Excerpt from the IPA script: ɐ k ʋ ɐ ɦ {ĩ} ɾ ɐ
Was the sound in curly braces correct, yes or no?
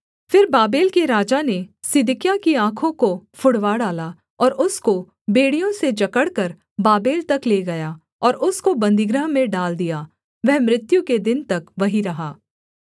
no